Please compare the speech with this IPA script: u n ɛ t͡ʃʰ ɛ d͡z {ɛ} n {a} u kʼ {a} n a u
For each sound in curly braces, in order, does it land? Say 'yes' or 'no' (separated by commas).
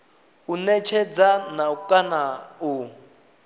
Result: no, yes, yes